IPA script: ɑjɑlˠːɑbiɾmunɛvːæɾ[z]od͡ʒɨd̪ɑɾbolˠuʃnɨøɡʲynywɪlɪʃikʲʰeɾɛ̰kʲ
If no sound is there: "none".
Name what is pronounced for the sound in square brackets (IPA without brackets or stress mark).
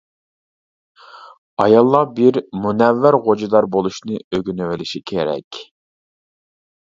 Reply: ʁ